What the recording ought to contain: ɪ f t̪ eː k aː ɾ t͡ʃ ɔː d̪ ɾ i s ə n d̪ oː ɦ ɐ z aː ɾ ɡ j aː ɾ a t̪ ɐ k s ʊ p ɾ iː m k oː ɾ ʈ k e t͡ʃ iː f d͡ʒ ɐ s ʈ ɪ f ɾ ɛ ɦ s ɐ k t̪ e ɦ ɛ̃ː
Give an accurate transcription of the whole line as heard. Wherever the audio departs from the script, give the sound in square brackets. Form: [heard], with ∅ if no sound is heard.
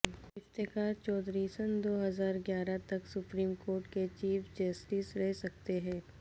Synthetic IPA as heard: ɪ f t̪ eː k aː ɾ t͡ʃ ɔː d̪ ɾ i s ə n d̪ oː ɦ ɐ z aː ɾ ɡ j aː ɾ a t̪ ɐ k s ʊ p ɾ iː m k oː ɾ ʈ k e t͡ʃ iː f d͡ʒ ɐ s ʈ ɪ [s] ɾ ɛ ɦ s ɐ k t̪ e ɦ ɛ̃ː